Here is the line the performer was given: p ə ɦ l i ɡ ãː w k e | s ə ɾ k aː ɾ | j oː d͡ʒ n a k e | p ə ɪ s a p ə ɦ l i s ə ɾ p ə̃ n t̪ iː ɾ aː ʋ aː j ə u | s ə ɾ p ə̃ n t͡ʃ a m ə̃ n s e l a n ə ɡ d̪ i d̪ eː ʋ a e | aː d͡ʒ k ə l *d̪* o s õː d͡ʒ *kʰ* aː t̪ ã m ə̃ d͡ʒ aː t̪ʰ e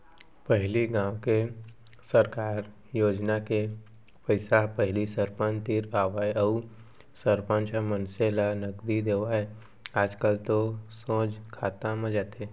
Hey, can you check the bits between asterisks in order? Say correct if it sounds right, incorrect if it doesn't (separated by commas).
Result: incorrect, correct